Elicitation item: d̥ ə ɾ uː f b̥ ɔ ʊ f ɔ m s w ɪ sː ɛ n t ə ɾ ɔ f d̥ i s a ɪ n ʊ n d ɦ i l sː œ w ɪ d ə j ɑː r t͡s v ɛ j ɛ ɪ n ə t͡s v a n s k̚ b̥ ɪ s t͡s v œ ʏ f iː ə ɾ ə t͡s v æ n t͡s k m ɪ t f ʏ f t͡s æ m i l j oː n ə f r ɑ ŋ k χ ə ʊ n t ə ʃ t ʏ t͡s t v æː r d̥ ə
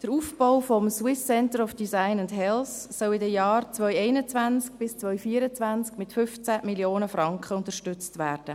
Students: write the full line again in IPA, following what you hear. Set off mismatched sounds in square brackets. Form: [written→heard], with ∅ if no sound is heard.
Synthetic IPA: d̥ ə ɾ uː f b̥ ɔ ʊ f ɔ m s w ɪ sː ɛ n t ə ɾ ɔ f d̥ i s a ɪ n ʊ n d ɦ [i→ɛ] l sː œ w ɪ d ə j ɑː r t͡s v [ɛ→œ] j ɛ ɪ n ə t͡s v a n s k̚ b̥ ɪ s t͡s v œ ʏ f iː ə ɾ ə t͡s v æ n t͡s k m ɪ t f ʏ f t͡s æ m i l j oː n ə f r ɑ ŋ k χ ə ʊ n t ə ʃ t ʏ t͡s t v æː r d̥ ə